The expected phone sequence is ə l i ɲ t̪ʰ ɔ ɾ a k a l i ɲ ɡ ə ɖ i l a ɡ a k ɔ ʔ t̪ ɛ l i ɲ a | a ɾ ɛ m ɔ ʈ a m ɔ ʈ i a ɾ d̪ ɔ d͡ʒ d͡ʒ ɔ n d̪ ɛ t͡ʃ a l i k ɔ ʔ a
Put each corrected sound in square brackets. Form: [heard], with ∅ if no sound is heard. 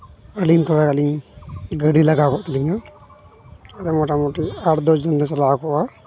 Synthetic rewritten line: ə l i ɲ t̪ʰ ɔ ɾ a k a l i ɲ ɡ ə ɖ i l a ɡ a k ɔ ʔ t̪ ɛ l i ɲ a | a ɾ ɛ m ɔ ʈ a m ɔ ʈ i a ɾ d̪ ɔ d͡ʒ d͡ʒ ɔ n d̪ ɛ t͡ʃ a l [a] k ɔ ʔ a